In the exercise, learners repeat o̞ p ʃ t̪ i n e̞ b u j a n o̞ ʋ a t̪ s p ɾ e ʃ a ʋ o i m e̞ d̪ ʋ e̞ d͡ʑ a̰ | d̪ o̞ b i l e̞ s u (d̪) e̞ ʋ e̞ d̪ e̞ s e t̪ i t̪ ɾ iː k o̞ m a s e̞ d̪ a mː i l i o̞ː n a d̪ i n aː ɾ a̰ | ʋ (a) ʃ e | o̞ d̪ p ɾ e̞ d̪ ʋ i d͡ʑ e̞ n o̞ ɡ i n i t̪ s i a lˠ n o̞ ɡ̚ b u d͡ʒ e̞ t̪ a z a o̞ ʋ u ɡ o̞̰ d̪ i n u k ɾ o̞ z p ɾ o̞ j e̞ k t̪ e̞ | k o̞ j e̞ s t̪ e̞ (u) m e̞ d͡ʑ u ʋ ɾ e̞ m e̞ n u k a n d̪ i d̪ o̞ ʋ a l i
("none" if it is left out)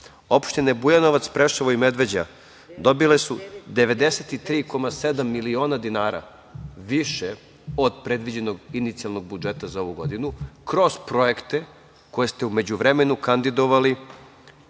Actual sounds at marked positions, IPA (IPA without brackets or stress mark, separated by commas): d̪, i, u